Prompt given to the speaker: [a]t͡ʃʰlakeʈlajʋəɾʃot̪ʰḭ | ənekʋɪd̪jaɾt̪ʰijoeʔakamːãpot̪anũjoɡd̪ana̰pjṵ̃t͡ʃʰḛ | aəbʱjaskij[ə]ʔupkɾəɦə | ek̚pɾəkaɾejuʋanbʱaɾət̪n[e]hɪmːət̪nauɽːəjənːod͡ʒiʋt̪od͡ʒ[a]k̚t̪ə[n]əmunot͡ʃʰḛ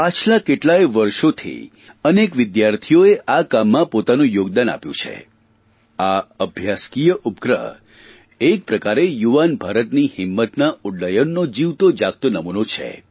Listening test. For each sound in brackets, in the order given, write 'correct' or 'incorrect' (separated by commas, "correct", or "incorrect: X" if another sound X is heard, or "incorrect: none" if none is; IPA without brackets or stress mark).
correct, correct, incorrect: i, correct, correct